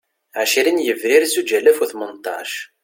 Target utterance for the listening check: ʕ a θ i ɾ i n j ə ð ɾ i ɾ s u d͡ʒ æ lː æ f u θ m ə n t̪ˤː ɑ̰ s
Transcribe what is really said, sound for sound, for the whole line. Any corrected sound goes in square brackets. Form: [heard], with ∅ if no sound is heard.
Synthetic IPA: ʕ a [ʃ] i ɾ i n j ə [v] ɾ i ɾ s u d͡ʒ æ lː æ f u θ m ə n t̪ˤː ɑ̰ [ʃ]